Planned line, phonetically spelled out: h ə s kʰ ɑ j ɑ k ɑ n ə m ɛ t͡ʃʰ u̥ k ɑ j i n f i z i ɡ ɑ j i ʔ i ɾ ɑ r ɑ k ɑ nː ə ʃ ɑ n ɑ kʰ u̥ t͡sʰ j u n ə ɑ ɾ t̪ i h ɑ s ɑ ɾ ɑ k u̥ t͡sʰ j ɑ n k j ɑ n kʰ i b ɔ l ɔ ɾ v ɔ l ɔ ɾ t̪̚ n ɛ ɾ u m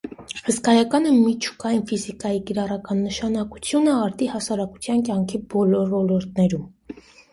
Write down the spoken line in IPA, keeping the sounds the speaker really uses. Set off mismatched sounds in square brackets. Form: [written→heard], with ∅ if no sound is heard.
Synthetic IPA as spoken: h ə s [kʰ→k] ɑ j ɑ k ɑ n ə m [ɛ→i] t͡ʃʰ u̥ k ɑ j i n f i z i [ɡ→k] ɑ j i [ʔ→k] i ɾ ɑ r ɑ k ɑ nː ə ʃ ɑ n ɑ [kʰ→k] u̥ t͡sʰ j u n ə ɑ ɾ t̪ i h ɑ s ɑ ɾ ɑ k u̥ t͡sʰ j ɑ n k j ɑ [n→ŋ] kʰ i b ɔ l ɔ ɾ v ɔ l ɔ ɾ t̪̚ n ɛ ɾ u m